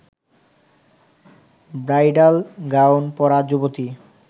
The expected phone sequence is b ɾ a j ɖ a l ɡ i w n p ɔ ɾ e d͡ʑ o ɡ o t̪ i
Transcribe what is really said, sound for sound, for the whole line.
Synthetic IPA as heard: b ɾ a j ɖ a l ɡ a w n p ɔ ɾ a d͡ʑ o b o t̪ i